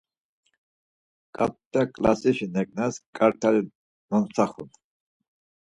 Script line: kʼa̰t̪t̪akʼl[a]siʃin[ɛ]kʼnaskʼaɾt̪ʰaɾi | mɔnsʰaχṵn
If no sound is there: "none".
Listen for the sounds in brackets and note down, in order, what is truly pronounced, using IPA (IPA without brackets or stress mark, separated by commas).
a, ɛ